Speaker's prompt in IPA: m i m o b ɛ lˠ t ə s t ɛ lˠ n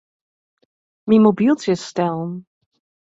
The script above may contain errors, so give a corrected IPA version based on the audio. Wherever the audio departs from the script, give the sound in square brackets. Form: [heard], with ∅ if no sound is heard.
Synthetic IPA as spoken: m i m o b [i] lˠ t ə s t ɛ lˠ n